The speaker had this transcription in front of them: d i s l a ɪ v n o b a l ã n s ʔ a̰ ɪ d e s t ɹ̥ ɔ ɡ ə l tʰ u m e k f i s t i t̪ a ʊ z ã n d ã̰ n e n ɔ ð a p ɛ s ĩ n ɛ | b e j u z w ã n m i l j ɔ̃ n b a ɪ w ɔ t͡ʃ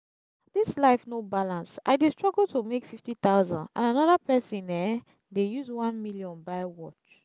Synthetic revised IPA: d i s l a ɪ f n o b a l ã n s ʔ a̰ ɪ d e s t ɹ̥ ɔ ɡ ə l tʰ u m e k f i f t i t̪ a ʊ z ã n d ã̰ n a n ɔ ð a p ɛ s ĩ n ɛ | d e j u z w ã n m i l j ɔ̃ n b a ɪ w ɔ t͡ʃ